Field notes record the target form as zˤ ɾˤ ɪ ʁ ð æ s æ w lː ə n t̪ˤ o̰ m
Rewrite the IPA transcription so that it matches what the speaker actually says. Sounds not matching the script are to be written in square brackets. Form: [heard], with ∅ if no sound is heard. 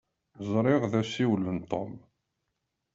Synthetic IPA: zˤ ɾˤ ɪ ʁ ð æ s [i] w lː ə n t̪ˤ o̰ m